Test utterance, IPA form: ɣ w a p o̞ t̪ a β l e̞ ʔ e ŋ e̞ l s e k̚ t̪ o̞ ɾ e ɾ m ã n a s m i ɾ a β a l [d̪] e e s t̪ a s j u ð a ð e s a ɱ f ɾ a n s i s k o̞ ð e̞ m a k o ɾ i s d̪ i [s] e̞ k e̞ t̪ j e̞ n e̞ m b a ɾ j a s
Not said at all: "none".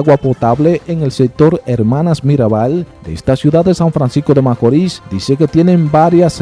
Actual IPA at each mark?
d̪, s

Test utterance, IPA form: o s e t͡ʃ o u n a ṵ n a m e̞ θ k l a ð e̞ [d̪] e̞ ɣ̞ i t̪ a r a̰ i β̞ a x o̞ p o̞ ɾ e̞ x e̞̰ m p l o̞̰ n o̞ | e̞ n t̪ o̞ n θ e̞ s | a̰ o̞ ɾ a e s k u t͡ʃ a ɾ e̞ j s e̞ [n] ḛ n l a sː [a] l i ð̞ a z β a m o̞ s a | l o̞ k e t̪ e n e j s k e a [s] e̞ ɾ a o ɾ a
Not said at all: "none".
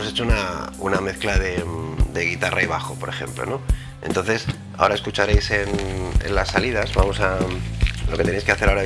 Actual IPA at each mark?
d̪, n, a, θ

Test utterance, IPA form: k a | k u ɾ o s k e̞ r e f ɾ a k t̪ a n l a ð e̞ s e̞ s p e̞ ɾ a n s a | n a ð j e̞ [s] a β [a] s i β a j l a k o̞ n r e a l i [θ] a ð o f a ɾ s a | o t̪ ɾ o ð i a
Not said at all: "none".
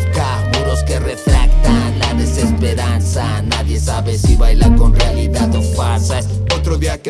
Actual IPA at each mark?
s, e, ð

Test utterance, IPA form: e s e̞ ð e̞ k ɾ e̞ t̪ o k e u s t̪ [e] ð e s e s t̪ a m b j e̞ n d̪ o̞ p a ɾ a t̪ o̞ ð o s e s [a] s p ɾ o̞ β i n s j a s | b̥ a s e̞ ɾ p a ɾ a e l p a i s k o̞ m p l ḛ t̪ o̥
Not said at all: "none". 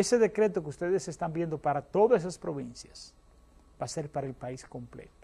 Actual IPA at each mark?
e, a

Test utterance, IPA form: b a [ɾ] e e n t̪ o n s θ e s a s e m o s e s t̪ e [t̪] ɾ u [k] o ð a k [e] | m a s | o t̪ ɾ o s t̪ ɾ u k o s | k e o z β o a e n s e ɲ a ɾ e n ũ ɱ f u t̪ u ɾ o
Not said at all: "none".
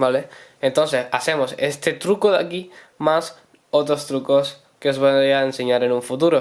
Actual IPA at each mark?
l, t̪, k, i

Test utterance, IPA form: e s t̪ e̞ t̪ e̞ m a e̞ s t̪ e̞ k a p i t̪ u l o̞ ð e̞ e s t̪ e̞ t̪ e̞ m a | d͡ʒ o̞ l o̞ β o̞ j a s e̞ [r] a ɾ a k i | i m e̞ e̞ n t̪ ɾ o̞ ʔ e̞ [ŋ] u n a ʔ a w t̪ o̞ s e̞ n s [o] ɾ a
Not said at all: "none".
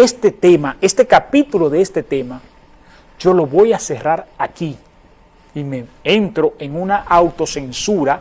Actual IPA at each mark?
r, ŋ, u

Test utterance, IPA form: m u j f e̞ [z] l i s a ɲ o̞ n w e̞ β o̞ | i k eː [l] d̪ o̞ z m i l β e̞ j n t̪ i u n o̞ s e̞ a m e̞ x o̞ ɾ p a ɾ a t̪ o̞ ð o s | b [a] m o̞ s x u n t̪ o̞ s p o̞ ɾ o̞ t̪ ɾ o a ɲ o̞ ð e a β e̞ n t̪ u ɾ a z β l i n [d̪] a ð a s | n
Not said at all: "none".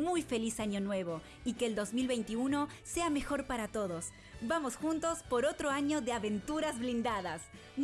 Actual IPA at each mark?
none, l, a, d̪

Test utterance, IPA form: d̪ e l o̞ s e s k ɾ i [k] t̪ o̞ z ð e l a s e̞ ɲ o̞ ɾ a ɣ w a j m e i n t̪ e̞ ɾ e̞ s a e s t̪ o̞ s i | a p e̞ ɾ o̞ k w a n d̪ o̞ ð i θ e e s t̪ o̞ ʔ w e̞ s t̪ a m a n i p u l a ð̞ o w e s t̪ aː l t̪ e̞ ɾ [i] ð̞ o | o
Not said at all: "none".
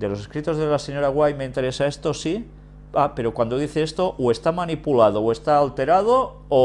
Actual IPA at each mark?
none, a

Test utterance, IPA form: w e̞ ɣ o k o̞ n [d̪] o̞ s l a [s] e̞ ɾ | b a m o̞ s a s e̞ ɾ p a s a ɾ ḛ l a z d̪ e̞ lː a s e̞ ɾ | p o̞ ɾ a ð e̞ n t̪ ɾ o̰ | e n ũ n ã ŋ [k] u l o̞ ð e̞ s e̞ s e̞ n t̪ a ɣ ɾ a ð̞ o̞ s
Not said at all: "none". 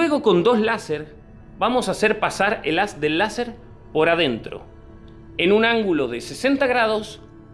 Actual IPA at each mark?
d̪, s, ɡ

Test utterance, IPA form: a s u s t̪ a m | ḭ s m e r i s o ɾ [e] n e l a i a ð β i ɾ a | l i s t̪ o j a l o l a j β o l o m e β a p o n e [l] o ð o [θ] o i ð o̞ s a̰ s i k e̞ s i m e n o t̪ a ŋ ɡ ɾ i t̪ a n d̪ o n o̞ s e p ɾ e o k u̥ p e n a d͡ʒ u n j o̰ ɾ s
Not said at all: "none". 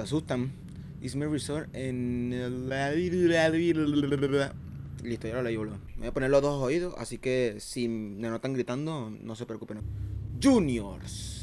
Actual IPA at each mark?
e, l, s

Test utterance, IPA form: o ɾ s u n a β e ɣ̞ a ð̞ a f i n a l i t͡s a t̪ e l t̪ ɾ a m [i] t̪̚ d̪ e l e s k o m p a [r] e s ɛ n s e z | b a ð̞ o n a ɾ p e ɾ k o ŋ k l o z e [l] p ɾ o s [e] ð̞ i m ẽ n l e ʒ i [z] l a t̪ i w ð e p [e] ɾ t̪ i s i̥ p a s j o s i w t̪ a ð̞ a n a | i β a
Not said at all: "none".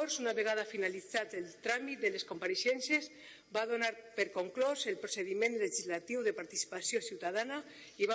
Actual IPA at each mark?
i, ɾ, l, e, z, a

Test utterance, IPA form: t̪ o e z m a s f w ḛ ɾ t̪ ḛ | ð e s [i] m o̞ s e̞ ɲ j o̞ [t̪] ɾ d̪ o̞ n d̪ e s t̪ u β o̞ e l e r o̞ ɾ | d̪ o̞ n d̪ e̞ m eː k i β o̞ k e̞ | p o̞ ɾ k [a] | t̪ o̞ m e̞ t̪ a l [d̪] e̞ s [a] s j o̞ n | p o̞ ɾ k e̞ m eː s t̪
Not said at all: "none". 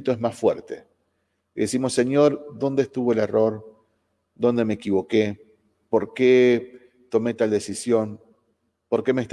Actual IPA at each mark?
i, none, e, d̪, i

